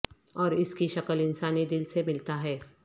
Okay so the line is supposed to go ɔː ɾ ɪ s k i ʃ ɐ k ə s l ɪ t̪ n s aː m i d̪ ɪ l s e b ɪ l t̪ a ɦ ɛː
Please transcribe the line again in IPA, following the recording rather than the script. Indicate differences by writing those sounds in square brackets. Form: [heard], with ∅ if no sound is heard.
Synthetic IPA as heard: ɔː ɾ ɪ s k i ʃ ɐ k ə [∅] l ɪ [∅] n s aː [n] i d̪ ɪ l s e [m] ɪ l t̪ a ɦ ɛː